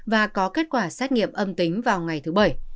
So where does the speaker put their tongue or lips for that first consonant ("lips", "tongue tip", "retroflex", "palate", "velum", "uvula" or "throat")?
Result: lips